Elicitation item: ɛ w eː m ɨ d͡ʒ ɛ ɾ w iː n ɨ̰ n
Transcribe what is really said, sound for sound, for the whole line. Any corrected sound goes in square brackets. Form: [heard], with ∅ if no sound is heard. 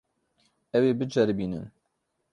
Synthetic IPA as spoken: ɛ w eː [b] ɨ d͡ʒ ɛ ɾ [b] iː n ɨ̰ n